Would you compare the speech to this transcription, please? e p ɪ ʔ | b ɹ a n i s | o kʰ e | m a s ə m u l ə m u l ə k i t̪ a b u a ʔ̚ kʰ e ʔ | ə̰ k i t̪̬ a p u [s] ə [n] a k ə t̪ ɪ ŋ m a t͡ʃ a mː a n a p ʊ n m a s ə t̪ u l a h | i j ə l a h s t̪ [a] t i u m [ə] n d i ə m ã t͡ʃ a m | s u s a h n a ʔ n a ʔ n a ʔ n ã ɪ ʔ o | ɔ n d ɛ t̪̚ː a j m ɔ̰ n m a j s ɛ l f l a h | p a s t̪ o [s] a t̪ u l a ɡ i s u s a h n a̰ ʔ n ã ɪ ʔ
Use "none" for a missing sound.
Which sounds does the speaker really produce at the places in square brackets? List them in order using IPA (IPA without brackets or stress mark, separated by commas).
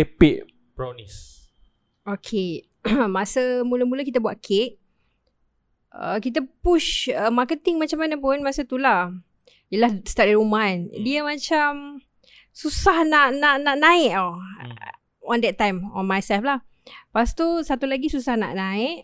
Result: ʃ, m, a, a, s